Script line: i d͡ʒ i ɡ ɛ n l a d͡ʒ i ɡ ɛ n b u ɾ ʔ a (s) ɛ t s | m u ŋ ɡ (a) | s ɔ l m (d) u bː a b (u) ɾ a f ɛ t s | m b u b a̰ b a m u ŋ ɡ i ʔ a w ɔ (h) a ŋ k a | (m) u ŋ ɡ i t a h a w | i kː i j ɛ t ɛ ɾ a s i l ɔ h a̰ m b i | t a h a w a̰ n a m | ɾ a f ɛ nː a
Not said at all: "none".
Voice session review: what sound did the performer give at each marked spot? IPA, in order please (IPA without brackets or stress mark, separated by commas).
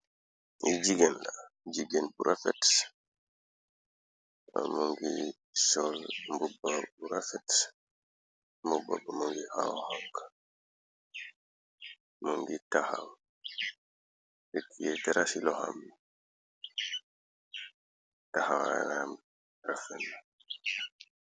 f, i, b, u, h, m